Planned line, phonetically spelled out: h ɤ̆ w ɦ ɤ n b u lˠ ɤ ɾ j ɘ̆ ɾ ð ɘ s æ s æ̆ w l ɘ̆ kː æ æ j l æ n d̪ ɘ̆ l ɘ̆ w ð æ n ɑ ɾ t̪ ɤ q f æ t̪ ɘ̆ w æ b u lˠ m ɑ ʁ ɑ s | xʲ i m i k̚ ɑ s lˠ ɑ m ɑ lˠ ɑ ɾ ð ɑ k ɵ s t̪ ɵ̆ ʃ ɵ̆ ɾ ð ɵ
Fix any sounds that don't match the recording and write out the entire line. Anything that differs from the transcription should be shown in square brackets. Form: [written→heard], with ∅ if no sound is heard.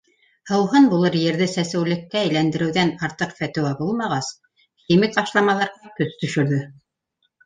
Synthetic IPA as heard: h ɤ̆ w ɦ ɤ n b u lˠ ɤ ɾ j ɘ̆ ɾ ð ɘ s æ s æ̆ w l ɘ̆ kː æ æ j l æ n d̪ ɘ̆ [l→ɾ] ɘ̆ w ð æ n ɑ ɾ t̪ ɤ q f æ t̪ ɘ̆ w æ b u lˠ m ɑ ʁ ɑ s | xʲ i m i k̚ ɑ [s→ʃ] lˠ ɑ m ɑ lˠ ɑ ɾ [ð→ʁ] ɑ k ɵ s t̪ ɵ̆ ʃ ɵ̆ ɾ ð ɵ